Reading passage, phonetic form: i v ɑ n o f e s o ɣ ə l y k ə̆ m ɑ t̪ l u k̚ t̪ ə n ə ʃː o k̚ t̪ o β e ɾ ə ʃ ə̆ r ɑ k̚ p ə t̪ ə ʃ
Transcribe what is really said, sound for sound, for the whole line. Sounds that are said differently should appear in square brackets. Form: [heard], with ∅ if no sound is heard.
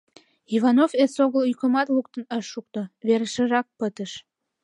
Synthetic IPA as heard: i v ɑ n o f e s o ɣ ə l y k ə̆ m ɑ t̪ l u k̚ t̪ ə n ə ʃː [u] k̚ t̪ o β e ɾ ə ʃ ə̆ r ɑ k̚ p ə t̪ ə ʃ

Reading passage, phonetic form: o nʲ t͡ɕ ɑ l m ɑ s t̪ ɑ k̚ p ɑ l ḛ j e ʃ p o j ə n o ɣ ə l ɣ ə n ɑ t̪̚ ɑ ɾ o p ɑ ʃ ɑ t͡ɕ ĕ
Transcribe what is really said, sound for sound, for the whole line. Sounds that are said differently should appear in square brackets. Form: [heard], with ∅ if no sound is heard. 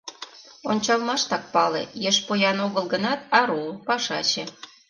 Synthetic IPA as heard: o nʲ t͡ɕ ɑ l m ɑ [ʃ] t̪ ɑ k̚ p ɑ l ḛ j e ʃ p o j [ɑ] n o ɣ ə l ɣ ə n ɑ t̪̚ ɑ ɾ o p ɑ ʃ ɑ t͡ɕ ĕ

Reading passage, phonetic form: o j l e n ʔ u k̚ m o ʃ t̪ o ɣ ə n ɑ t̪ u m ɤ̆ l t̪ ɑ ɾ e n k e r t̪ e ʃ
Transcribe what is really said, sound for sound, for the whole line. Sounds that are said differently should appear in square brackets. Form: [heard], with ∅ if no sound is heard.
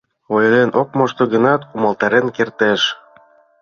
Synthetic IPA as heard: o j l e n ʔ [o] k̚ m o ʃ t̪ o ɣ ə n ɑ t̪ u m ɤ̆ l t̪ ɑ ɾ e n k e r t̪ e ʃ

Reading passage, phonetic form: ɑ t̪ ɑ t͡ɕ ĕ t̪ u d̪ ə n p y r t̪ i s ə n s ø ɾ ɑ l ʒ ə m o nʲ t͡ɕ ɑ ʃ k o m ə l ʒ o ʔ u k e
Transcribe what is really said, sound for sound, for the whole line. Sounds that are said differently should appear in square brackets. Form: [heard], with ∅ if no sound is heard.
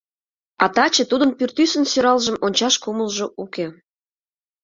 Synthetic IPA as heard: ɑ t̪ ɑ t͡ɕ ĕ t̪ u d̪ ə n p y r t̪ [y] s ə n s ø ɾ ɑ l ʒ ə m o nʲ t͡ɕ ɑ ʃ k [u] m ə l ʒ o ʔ u k e

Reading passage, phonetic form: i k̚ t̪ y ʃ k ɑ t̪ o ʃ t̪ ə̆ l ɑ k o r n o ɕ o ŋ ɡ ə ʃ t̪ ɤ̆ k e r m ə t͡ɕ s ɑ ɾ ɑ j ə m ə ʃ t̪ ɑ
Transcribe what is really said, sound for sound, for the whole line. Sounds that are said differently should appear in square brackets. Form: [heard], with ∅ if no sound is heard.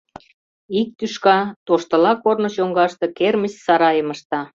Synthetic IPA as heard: i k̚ t̪ y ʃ k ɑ t̪ o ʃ t̪ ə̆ l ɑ k o r n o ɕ o ŋ ɡ [ɑ] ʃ t̪ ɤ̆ k e r m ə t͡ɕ s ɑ ɾ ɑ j ə m ə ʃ t̪ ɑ

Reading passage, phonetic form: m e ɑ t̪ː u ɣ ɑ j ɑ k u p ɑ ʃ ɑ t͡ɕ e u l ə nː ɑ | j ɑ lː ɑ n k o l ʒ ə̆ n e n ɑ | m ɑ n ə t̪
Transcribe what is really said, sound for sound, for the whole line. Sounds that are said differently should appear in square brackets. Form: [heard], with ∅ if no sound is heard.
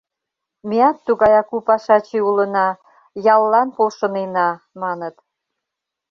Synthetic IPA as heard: m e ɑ t̪ː u ɣ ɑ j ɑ k u p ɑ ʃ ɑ t͡ɕ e u l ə [n] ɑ | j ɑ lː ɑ n [p] o l [ʃ] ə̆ n e n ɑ | m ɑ n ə t̪

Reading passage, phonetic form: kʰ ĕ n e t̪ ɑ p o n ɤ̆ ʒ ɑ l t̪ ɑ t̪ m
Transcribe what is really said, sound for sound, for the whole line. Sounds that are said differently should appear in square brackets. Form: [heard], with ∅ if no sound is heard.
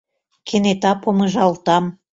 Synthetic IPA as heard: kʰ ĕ n e t̪ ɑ p o [m] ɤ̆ ʒ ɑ l t̪ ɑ [∅] m

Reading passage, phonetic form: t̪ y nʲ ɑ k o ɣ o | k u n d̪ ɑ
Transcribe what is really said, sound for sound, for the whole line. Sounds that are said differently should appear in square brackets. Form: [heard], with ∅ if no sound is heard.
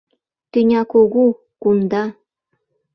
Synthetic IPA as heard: t̪ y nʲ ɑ k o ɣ [u] | k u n d̪ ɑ

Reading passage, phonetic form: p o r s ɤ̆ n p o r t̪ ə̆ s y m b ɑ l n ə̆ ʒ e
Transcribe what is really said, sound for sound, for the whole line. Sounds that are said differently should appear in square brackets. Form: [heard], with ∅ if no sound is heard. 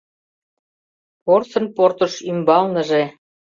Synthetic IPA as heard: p o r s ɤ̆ n p o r t̪ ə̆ [ʃ] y m b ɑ l n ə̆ ʒ e

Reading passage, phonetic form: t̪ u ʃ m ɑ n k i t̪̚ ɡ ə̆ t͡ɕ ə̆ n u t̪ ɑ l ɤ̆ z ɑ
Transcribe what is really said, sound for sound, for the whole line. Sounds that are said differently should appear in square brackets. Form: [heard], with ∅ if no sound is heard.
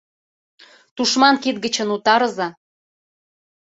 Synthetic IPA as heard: t̪ u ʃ m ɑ n k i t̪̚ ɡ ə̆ t͡ɕ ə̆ n u t̪ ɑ [ɾ] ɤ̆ z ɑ

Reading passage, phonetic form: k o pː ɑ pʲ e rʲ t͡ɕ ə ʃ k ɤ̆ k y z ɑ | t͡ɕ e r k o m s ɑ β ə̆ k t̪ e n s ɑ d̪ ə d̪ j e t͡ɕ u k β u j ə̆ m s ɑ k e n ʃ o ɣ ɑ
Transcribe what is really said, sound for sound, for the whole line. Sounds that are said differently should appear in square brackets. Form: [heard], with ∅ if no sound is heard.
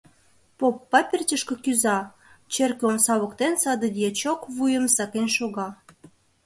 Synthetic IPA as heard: [p] o pː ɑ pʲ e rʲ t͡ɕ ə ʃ k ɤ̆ k y z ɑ | t͡ɕ e r k o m s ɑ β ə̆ k t̪ e n s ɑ d̪ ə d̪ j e t͡ɕ [o] k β u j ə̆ m s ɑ k e n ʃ o ɣ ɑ

